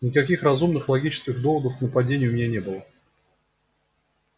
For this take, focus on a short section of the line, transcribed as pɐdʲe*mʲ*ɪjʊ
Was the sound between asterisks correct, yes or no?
no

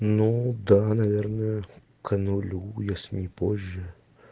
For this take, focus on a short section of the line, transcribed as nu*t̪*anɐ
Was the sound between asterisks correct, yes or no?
no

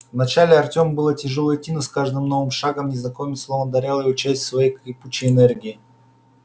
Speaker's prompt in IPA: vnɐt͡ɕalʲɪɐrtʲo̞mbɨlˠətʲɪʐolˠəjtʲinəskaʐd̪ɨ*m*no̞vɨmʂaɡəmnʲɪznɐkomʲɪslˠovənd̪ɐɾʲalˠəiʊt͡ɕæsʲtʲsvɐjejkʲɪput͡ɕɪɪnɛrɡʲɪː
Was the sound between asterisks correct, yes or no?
yes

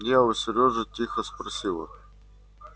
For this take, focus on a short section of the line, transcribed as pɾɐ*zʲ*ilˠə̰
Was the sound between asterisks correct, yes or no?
no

